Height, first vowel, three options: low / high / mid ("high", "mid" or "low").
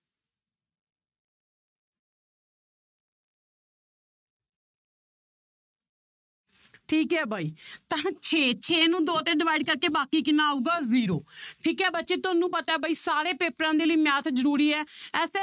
high